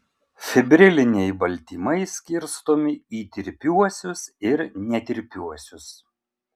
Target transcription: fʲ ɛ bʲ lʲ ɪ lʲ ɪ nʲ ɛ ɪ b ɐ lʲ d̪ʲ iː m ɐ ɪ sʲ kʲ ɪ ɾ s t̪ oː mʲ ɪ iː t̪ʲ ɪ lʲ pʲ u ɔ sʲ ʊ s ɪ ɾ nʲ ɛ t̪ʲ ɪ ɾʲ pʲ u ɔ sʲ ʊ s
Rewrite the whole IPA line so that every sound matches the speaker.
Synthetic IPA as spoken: fʲ ɛ bʲ ɾʲ ɪ lʲ ɪ nʲ ɛ ɪ b ɐ lʲ t̪ʲ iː m ɐ ɪ sʲ kʲ ɪ ɾ s t̪ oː mʲ ɪ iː t̪ʲ ɪ ɾʲ pʲ u ɔ sʲ ʊ s ɪ ɾ nʲ ɛ t̪ʲ ɪ ɾʲ pʲ u ɔ sʲ ʊ s